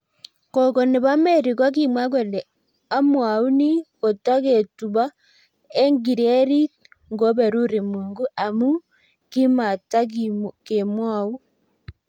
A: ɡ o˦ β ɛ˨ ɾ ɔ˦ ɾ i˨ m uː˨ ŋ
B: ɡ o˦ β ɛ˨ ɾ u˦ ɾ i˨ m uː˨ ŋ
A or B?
B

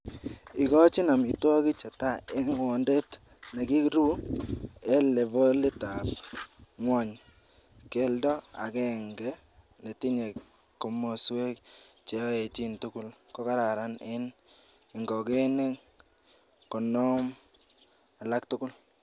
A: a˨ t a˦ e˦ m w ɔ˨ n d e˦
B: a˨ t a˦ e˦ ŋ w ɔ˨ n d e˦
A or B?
B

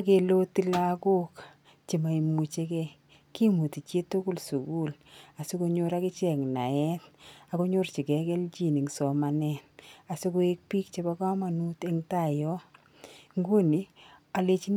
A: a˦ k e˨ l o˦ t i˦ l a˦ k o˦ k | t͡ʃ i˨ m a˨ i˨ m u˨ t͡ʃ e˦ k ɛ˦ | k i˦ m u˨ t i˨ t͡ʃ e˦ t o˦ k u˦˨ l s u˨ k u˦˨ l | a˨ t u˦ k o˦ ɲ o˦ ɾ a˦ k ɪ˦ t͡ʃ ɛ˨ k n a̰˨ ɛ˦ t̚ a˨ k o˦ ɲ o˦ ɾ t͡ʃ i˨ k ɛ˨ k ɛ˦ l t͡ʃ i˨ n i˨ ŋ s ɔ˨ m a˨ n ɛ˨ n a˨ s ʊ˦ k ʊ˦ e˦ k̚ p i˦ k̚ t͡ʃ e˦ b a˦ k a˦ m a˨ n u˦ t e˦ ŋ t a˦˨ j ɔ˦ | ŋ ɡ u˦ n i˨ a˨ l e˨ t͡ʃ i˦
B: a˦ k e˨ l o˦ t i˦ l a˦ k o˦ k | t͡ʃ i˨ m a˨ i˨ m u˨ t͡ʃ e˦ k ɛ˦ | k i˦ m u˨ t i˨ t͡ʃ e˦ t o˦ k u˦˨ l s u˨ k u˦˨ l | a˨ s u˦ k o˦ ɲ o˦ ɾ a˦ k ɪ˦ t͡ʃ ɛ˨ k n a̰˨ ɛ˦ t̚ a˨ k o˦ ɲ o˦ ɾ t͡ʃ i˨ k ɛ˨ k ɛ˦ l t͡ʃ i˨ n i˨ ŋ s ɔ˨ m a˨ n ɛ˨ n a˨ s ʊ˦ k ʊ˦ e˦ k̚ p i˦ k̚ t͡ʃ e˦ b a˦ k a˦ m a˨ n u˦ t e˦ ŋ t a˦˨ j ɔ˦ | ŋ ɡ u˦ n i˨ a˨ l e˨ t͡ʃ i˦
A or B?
B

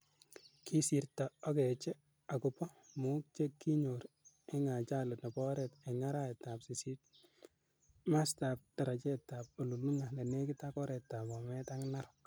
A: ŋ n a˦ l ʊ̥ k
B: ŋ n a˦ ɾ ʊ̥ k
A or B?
B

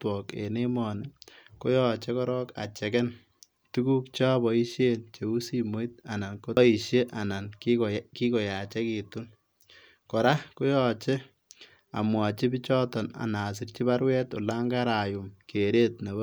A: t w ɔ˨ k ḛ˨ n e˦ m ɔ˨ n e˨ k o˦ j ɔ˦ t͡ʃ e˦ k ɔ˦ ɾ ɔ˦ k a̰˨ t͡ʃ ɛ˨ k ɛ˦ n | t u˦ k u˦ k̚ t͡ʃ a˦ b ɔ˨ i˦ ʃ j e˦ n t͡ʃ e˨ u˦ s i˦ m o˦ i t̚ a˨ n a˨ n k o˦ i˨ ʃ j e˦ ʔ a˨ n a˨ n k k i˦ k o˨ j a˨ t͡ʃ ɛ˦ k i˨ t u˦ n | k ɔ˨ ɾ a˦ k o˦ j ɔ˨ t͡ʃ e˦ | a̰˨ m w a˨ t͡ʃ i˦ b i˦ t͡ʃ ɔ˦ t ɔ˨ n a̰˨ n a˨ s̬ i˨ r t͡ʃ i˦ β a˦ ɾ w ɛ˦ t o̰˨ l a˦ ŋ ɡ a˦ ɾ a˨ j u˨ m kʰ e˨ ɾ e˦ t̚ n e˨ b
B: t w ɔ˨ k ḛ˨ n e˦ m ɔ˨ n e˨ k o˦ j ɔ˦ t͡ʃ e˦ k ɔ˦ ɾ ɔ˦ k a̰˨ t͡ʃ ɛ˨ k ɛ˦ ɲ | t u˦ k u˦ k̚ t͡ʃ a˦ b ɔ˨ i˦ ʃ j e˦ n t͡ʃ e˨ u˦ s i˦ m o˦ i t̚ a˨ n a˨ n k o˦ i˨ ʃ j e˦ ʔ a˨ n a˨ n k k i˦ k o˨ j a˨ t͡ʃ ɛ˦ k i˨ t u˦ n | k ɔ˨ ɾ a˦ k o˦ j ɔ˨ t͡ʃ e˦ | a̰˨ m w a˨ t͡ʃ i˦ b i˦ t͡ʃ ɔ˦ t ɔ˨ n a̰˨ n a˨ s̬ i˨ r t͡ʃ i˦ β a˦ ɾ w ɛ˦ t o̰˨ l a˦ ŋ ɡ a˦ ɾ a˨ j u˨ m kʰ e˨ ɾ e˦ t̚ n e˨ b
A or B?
A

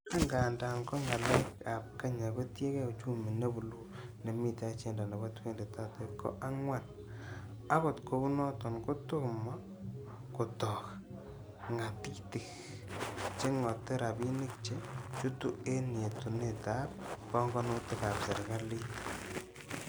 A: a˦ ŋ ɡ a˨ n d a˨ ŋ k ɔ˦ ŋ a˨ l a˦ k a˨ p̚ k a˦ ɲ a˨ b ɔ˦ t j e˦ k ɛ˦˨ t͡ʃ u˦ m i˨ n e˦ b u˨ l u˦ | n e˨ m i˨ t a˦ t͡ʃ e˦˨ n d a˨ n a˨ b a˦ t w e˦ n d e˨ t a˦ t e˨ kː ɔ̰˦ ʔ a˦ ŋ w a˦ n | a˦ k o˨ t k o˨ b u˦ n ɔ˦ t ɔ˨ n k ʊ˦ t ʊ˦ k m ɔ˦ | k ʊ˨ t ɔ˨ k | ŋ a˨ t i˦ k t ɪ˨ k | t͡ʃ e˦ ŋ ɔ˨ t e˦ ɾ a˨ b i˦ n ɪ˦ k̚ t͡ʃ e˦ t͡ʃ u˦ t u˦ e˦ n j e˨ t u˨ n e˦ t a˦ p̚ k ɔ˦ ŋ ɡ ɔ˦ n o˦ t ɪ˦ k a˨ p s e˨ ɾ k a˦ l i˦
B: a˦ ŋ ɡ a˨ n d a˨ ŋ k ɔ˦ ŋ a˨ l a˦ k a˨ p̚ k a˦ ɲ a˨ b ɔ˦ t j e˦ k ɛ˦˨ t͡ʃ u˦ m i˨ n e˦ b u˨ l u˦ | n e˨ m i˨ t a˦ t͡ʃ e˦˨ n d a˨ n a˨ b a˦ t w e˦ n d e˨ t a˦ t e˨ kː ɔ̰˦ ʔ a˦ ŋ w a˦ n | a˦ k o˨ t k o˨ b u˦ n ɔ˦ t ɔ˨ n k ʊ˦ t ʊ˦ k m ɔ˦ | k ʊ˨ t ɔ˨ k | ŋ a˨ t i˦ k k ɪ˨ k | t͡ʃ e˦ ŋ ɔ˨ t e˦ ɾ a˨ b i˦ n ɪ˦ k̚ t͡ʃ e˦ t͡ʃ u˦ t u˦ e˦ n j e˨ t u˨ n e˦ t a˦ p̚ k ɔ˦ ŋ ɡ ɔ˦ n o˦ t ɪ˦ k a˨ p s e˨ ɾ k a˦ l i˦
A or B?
A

